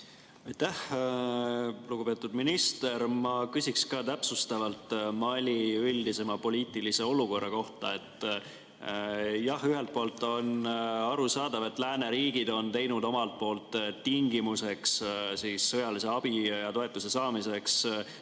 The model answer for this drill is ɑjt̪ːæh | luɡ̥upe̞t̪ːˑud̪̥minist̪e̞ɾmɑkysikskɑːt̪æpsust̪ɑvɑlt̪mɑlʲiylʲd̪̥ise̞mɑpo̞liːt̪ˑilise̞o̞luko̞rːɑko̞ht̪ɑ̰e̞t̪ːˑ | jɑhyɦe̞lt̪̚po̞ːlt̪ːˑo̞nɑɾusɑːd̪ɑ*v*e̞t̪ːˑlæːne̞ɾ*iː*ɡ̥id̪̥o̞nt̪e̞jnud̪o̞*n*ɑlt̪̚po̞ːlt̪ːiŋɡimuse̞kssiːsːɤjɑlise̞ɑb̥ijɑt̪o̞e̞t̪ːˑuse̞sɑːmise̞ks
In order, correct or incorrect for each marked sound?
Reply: correct, correct, incorrect: m

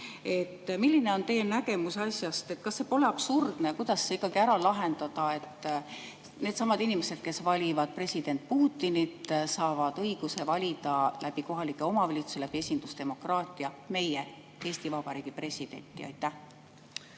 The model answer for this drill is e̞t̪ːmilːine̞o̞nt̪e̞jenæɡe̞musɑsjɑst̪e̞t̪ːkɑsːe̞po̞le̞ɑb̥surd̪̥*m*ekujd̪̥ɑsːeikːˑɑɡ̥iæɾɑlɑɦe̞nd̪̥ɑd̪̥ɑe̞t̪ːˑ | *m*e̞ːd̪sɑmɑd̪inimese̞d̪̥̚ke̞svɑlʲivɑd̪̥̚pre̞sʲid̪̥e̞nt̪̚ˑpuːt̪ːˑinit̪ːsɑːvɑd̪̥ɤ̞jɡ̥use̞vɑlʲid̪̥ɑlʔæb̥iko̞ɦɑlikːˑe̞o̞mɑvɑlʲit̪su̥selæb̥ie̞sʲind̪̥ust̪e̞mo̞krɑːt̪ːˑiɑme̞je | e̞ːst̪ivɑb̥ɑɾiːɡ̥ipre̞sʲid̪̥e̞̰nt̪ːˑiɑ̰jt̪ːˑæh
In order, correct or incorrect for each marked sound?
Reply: incorrect: n, incorrect: n

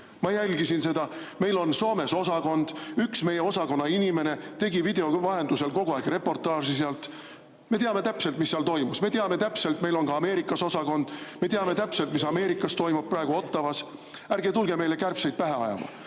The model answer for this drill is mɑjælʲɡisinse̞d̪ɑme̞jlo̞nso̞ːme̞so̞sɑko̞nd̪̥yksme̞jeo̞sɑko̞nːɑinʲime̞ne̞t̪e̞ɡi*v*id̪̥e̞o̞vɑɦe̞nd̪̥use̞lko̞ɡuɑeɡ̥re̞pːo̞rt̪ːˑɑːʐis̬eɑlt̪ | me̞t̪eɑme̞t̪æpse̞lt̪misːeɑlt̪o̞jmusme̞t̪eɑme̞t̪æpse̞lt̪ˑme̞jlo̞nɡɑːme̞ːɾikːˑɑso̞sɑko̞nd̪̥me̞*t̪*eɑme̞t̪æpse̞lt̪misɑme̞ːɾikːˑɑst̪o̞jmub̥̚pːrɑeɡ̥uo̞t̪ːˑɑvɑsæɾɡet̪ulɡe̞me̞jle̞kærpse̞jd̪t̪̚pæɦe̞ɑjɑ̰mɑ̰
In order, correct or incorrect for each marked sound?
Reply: correct, correct

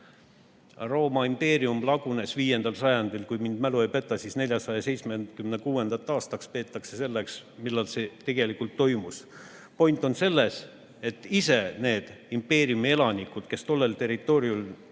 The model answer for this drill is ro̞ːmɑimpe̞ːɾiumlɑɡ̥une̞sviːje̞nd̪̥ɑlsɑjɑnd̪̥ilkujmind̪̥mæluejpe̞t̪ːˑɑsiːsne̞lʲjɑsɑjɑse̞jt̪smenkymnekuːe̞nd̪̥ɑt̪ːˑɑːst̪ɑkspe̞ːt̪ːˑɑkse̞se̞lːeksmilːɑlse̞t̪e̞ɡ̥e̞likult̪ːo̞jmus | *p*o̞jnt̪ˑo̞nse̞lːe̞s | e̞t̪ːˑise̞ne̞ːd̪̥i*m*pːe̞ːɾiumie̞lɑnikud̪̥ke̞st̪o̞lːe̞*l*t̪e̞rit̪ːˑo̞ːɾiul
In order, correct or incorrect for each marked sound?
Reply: correct, correct, correct

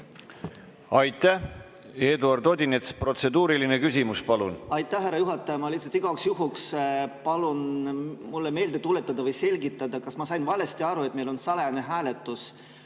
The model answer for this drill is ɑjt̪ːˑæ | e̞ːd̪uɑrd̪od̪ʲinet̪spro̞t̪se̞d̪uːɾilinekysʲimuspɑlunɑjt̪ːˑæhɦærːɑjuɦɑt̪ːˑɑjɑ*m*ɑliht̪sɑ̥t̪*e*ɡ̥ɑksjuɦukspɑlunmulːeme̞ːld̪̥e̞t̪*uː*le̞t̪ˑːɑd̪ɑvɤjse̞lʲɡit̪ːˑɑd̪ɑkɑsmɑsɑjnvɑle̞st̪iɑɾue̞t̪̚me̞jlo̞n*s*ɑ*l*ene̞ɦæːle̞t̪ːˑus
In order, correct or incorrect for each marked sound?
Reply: correct, incorrect: i, incorrect: u, correct, correct

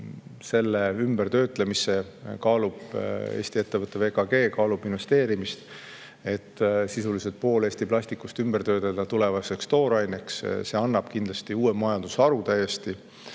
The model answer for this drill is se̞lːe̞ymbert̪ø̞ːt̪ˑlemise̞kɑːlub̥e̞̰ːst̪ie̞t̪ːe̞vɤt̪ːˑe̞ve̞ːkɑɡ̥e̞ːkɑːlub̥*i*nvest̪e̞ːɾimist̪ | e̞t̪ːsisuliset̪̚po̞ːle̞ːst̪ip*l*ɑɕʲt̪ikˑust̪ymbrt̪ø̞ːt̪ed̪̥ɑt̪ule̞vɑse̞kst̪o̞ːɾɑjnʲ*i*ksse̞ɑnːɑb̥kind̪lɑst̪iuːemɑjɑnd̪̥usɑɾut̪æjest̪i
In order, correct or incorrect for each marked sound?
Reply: correct, correct, incorrect: e

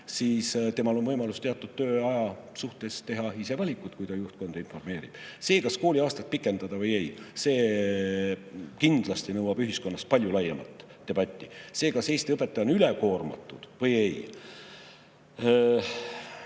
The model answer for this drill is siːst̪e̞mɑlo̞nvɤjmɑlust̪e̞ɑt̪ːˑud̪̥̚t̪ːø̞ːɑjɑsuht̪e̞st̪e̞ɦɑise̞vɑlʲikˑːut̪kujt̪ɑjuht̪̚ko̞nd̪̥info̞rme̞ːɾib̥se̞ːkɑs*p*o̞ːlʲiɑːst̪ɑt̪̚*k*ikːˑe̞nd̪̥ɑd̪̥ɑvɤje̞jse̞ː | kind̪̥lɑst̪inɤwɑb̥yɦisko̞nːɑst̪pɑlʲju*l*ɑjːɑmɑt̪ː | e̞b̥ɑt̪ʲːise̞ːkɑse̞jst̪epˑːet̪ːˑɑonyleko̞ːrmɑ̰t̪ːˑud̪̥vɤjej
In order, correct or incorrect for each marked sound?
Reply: incorrect: k, incorrect: p, correct

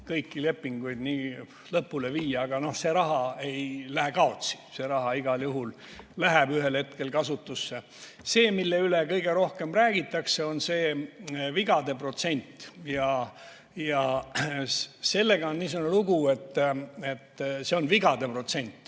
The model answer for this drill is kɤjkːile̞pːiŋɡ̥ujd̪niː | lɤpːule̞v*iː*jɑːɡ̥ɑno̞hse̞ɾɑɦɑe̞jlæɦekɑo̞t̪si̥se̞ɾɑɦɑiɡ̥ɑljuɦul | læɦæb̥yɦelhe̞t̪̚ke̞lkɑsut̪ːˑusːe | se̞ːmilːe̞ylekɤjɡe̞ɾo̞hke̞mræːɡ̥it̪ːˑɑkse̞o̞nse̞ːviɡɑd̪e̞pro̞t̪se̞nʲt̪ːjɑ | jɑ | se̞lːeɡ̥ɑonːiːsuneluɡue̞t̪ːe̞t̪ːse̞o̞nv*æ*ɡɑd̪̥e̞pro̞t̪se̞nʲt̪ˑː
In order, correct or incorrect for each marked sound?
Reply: correct, incorrect: i

